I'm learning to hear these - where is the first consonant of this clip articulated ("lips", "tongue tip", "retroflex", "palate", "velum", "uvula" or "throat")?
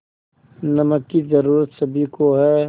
tongue tip